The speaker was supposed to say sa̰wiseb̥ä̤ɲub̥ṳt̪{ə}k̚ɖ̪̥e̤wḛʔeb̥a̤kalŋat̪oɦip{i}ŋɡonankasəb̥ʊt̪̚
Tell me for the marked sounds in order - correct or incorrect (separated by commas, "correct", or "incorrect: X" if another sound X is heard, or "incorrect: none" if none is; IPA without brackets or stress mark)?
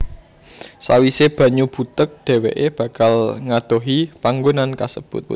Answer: correct, incorrect: a